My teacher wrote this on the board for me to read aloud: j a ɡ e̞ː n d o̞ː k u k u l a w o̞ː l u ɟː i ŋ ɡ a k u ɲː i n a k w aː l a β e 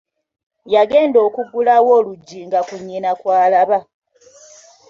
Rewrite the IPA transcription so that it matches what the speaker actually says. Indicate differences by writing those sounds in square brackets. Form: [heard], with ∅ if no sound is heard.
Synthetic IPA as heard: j a ɡ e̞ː n d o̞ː k u [ɡ] u l a w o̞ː l u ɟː i ŋ ɡ a k u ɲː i n a k w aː l a β [a]

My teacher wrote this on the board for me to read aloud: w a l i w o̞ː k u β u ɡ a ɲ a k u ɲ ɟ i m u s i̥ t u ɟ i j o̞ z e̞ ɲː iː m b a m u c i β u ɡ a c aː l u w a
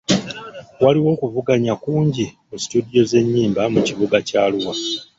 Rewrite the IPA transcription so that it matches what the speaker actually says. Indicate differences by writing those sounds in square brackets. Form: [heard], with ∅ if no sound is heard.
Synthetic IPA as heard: w a l i w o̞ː k u [v] u ɡ a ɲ a k [uː] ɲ ɟ i m u s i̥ t u [d] i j o̞ z e̞ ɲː iː m b a m u c i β u ɡ a c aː l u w a

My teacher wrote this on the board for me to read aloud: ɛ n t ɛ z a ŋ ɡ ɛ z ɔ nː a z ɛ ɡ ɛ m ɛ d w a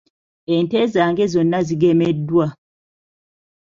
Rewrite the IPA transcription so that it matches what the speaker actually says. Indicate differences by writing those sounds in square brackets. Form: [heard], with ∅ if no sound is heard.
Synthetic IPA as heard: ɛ n t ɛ z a ŋ ɡ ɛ z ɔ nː a z [i] ɡ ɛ m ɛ d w a

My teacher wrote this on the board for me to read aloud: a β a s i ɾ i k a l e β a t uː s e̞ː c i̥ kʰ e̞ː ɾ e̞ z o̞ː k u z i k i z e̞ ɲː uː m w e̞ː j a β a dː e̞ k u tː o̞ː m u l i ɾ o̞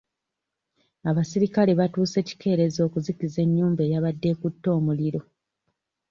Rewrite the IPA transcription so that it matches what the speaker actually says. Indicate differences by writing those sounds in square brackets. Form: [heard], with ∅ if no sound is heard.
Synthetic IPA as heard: a β a s i ɾ i k a l e β a t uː s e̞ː c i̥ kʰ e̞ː ɾ e̞ z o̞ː k u z i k i z e̞ ɲː uː m [b] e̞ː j a β a dː e̞ k u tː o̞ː m u l i ɾ o̞

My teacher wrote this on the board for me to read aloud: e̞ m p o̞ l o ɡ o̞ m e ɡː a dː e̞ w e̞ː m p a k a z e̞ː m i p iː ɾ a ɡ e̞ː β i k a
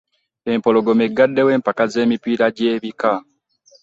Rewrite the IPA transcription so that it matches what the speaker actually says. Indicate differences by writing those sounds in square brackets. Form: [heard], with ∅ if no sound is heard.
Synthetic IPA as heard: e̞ m p o̞ l o ɡ o̞ m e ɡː a dː e̞ w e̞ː m p a k a z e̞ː m i p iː ɾ a [ɟ] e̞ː β i k a

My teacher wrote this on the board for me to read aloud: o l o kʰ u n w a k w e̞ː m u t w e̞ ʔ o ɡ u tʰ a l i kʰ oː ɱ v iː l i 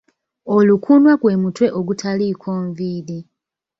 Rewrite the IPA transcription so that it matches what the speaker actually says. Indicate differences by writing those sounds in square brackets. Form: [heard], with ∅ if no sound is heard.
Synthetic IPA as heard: o l [u] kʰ u n w a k w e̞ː m u t w e̞ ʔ o ɡ u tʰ a l i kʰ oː ɱ v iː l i

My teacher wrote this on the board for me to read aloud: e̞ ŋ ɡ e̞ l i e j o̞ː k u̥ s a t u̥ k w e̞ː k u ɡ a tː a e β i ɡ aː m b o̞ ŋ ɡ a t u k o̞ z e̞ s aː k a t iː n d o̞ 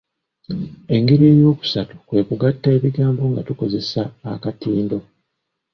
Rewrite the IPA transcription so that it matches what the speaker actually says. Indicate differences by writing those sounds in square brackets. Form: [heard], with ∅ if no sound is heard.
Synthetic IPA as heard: e̞ ŋ ɡ e̞ [ɾ] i e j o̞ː k u̥ s a t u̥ k w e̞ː k u ɡ a tː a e β i ɡ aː m b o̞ ŋ ɡ a t u k o̞ z e̞ s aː k a t iː n d o̞

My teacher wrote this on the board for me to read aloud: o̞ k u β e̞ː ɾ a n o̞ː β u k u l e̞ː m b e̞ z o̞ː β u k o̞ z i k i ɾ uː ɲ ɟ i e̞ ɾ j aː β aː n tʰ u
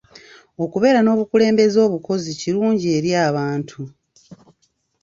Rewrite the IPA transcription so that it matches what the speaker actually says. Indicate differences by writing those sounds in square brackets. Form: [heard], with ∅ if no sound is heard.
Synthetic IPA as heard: o̞ k u β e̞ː ɾ a n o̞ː β u k u l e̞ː m b e̞ z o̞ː β u k o̞ z i [c] i ɾ uː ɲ ɟ i e̞ ɾ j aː β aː n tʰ u

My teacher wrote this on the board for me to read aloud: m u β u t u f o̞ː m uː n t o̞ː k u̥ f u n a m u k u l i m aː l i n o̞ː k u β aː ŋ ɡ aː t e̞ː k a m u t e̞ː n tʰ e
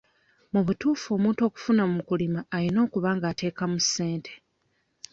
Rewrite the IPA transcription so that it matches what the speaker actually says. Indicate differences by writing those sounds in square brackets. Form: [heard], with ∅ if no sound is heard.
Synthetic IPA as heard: m u β u t [uː] f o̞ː m uː n t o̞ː k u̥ f u n a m u k u l i m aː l i n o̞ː k u β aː ŋ ɡ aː t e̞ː k a m u [s] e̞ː n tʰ e

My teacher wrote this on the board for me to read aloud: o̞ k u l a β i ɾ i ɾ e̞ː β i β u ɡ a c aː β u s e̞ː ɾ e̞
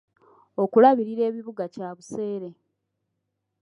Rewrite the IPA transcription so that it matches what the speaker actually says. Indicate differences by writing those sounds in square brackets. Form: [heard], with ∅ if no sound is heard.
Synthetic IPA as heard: o̞ k u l a β i ɾ i ɾ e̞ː β i β u ɡ a c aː β u s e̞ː ɾ e̞

